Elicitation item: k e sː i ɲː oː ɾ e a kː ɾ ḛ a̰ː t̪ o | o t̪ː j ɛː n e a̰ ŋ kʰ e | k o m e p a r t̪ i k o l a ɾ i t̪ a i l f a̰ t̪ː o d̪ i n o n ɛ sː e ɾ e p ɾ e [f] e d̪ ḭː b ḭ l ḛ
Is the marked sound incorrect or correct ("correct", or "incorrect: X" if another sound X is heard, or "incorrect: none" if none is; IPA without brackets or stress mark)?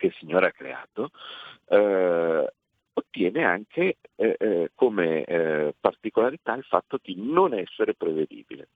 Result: incorrect: v